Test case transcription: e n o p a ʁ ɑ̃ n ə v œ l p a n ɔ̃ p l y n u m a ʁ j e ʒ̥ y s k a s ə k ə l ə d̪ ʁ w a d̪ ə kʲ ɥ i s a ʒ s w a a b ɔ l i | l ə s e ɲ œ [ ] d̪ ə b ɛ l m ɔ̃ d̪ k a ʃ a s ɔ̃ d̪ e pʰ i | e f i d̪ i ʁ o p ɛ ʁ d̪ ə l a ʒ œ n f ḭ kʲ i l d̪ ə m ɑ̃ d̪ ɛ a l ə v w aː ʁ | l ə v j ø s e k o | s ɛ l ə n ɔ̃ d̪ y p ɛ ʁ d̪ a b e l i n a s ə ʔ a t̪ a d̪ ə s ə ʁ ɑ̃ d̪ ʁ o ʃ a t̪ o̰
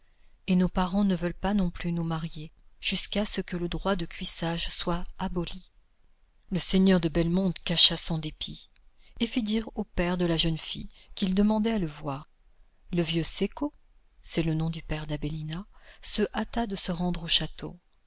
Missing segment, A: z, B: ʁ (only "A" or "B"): B